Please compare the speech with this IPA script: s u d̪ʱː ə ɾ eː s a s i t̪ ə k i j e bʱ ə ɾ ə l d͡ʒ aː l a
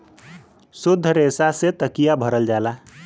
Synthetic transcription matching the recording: s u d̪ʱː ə ɾ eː s a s e t̪ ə k i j a bʱ ə ɾ ə l d͡ʒ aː l a